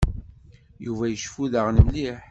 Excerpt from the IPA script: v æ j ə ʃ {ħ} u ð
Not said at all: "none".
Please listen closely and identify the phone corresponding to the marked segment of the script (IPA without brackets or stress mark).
f